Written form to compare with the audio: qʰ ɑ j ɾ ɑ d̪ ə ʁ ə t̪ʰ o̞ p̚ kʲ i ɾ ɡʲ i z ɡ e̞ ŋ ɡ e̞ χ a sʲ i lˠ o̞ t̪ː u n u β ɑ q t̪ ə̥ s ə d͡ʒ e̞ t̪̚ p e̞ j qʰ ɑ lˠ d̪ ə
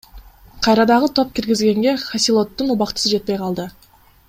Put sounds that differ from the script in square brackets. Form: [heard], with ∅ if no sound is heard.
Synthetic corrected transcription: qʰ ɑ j ɾ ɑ d̪ [ɑ] ʁ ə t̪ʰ o̞ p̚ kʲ i ɾ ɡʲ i z ɡ e̞ ŋ ɡ e̞ χ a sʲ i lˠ o̞ t̪ː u n u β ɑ q t̪ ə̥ s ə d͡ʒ e̞ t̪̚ p e̞ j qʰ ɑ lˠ d̪ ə